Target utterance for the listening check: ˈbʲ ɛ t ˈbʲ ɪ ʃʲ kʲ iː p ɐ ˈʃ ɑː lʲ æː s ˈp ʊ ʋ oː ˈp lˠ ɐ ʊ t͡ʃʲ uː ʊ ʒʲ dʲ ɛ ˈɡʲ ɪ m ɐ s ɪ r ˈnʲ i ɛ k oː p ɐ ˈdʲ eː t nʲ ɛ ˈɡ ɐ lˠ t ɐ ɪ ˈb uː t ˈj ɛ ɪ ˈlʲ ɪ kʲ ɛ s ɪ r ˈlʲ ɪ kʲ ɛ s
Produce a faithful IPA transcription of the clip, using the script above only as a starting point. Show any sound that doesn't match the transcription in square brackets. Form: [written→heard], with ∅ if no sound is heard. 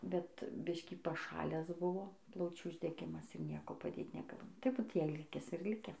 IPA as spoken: ˈbʲ ɛ t ˈbʲ ɪ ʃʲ kʲ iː p ɐ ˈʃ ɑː lʲ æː s [ˈp→ˈb] ʊ ʋ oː ˈp lˠ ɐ ʊ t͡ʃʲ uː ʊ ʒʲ dʲ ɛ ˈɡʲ ɪ m ɐ s ɪ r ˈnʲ i ɛ k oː p ɐ ˈdʲ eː t nʲ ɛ ˈɡ ɐ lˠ t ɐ ɪ ˈb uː t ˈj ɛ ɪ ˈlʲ ɪ kʲ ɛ s ɪ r ˈlʲ ɪ kʲ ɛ s